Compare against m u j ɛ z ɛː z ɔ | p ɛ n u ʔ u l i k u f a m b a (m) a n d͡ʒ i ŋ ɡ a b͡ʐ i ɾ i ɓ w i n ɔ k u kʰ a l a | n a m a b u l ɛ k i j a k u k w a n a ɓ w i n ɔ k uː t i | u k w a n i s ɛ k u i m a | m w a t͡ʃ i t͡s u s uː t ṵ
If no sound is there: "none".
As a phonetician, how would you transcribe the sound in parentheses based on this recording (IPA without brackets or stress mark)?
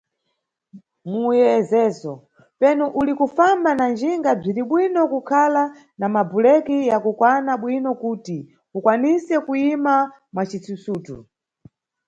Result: n